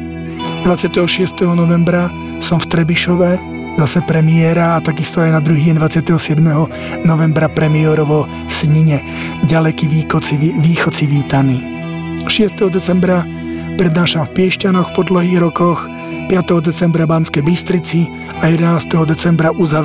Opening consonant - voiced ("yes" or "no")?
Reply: yes